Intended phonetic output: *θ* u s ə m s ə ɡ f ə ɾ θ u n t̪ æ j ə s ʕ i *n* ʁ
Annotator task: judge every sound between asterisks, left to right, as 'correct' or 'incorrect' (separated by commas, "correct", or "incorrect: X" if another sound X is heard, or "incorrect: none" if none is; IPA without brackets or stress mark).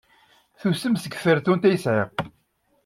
correct, incorrect: none